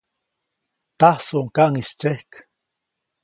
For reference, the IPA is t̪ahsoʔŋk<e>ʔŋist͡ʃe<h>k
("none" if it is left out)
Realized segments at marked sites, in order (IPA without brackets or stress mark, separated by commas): a, h